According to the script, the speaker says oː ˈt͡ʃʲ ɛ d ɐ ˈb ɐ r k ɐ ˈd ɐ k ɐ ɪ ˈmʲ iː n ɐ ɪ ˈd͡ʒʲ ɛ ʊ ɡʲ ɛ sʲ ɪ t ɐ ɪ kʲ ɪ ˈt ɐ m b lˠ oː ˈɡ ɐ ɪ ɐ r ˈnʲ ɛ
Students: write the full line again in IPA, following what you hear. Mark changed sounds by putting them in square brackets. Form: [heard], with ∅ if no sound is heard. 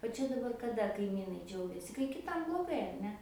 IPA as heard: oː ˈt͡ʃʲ ɛ d ɐ ˈb ɐ r k ɐ ˈd ɐ k ɐ ɪ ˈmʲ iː n ɐ ɪ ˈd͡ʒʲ ɛ ʊ ɡʲ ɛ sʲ ɪ [k] ɐ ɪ kʲ ɪ ˈt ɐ m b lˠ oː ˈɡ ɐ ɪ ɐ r ˈnʲ ɛ